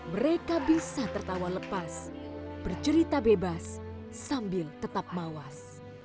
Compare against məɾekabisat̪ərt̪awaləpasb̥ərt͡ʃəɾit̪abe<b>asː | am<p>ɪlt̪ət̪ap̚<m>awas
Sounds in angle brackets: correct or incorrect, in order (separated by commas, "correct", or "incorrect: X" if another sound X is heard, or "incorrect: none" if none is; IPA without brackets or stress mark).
correct, incorrect: b, correct